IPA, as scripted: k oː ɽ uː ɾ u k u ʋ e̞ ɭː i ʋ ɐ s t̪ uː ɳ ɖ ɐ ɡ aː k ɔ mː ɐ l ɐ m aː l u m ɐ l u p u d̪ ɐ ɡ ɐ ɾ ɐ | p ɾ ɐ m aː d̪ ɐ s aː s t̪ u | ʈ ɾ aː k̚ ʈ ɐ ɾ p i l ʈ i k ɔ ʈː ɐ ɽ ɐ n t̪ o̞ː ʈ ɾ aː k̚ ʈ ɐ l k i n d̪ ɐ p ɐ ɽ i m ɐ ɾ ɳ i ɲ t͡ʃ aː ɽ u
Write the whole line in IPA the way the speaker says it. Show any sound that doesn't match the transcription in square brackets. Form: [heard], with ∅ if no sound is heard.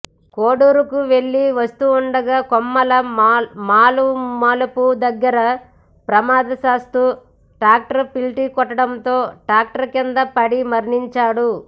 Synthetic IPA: k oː ɽ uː ɾ u k u ʋ e̞ ɭː i ʋ ɐ s t̪ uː ɳ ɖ ɐ ɡ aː k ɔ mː ɐ l ɐ m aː l u m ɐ l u p u d̪ ɐ [ɡː] ɐ ɾ ɐ | p ɾ ɐ m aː d̪ ɐ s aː s t̪ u | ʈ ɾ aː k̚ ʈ ɐ ɾ p i l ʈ i k ɔ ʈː ɐ ɽ ɐ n t̪ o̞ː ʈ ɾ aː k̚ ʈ ɐ [ɾ] k i n d̪ ɐ p ɐ ɽ i m ɐ ɾ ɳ i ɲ t͡ʃ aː ɽ u